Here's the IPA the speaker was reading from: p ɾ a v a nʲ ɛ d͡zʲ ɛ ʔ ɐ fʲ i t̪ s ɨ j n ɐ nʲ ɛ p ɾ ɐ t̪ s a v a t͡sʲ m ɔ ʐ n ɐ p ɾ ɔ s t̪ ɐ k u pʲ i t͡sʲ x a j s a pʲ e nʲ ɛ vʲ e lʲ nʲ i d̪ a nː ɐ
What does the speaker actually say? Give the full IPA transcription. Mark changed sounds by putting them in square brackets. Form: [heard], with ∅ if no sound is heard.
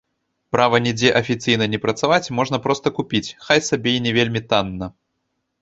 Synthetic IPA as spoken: p ɾ a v [ɐ] nʲ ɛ d͡zʲ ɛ ʔ ɐ fʲ i t̪ s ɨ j n ɐ nʲ ɛ p ɾ ɐ t̪ s a v a t͡sʲ m ɔ ʐ n ɐ p ɾ ɔ s t̪ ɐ k u pʲ i t͡sʲ x a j s a [bʲ] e nʲ ɛ vʲ e lʲ [mʲ] i [t̪] a nː ɐ